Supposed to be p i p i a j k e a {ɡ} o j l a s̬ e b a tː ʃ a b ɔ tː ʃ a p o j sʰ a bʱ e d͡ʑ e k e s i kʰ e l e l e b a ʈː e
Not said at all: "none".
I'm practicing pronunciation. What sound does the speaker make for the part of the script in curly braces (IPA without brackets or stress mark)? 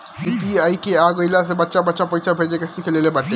ɡ